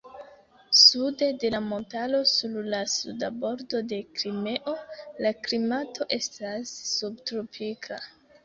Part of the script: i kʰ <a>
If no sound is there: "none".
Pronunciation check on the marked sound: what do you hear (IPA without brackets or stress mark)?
a